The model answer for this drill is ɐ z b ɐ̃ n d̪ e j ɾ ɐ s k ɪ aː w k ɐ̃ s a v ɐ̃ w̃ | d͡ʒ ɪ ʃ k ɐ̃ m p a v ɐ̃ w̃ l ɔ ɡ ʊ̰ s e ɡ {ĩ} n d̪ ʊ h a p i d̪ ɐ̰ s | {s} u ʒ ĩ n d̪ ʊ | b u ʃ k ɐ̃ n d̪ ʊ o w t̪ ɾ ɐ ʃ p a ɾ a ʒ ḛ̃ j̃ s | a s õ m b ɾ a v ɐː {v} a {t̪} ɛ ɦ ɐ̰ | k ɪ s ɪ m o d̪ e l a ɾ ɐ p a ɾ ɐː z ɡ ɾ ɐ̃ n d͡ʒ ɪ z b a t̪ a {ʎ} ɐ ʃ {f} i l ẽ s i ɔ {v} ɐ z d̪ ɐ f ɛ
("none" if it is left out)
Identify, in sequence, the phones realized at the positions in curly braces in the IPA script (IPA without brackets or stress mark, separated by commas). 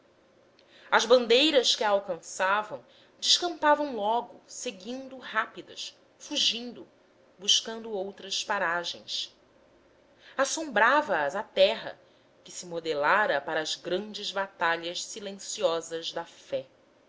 ĩ, f, z, t̪, ʎ, s, z